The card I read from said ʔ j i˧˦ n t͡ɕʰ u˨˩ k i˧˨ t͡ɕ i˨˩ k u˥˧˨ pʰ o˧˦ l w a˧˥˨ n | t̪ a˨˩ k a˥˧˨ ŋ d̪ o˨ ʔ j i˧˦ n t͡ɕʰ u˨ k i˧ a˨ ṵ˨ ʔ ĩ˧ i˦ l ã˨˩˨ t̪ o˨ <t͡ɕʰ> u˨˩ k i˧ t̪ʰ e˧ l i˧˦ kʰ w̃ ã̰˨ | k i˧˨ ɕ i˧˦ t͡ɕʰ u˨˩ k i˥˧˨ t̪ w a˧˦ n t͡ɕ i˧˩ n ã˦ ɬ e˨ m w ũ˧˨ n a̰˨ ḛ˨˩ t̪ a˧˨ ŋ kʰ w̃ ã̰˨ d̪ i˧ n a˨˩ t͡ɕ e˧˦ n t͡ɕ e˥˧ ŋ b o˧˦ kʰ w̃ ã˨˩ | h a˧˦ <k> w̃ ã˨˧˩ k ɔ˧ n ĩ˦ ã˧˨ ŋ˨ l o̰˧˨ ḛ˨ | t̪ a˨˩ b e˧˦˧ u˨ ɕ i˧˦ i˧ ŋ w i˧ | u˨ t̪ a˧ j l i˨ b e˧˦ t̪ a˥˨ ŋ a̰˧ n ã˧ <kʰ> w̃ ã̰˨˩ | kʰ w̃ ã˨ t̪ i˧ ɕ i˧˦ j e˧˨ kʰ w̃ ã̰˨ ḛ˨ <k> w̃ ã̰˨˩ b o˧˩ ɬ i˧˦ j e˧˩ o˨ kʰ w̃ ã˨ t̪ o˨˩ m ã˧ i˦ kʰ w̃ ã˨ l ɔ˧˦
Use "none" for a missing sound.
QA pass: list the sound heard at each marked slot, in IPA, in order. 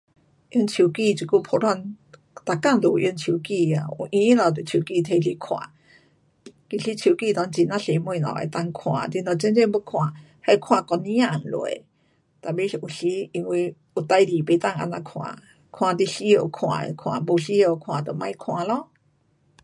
t͡ɕʰ, kʰ, kʰ, kʰ

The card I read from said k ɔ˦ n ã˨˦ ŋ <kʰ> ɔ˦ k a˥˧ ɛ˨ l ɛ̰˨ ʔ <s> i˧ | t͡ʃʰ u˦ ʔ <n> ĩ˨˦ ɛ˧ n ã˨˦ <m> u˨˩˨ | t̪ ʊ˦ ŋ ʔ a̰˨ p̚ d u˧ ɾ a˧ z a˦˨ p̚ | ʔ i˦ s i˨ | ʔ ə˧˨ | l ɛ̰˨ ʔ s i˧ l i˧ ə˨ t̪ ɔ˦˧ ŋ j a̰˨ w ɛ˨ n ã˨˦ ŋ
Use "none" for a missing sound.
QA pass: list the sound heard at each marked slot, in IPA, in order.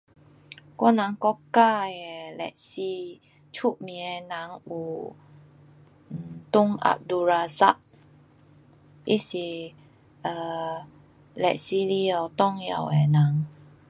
k, s, m, ŋ

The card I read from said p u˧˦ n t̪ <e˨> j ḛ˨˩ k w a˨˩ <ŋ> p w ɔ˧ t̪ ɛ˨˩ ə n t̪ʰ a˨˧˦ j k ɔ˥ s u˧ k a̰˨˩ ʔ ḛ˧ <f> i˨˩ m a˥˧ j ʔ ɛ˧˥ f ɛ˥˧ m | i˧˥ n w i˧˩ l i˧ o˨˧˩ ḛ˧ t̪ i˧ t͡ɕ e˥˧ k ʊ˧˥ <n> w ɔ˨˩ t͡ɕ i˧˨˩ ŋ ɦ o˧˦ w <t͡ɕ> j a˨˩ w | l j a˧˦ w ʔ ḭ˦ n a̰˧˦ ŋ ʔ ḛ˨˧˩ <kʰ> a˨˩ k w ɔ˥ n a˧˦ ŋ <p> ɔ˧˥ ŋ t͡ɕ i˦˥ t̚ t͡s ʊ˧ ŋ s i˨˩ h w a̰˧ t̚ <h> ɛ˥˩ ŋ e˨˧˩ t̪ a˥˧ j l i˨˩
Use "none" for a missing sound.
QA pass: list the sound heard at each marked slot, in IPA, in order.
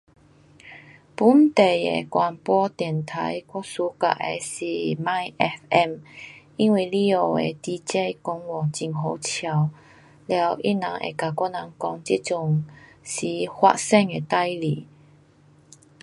e˨, n, s, ŋ, t͡ɕʰ, k, k, s

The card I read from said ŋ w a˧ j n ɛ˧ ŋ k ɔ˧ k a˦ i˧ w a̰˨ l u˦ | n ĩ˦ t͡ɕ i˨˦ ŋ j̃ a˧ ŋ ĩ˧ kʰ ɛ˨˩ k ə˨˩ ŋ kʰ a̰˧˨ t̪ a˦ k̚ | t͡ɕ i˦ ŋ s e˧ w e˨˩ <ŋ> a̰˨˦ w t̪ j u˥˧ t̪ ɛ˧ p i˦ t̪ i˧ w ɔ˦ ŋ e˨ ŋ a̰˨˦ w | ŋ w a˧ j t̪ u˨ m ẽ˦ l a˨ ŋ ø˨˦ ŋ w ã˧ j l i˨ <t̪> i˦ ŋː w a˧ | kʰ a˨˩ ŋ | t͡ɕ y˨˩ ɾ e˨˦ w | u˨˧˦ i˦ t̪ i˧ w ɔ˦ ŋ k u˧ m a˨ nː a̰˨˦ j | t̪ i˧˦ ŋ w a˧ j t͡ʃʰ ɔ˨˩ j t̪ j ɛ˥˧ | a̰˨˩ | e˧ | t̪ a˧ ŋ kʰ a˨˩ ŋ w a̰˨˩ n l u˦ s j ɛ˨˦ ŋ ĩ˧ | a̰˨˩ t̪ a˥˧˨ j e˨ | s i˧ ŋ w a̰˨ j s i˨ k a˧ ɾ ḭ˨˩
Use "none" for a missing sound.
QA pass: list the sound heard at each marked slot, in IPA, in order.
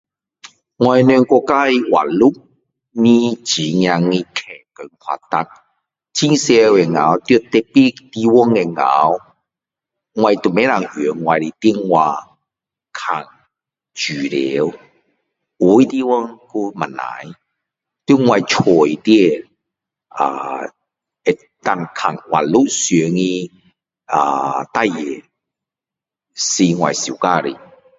ŋ, t̪

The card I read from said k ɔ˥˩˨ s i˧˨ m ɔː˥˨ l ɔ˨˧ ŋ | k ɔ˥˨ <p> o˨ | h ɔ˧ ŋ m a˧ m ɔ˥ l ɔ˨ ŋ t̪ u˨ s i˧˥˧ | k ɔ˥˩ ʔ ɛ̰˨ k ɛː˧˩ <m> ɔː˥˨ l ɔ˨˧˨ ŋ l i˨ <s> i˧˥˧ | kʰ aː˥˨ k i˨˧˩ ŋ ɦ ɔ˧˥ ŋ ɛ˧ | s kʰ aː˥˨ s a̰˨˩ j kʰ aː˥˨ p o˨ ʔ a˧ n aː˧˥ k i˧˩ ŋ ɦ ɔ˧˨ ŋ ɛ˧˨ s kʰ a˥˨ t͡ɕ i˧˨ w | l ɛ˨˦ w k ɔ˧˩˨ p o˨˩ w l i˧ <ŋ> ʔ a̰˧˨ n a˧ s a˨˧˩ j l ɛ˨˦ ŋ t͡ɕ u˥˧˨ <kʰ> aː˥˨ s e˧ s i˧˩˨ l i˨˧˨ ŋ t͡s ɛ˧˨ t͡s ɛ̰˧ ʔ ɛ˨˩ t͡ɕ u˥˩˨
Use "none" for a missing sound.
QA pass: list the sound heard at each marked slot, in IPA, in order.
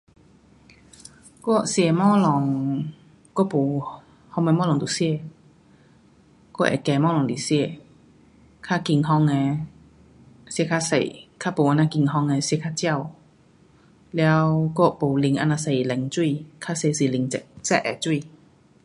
p, m, s, ŋ, kʰ

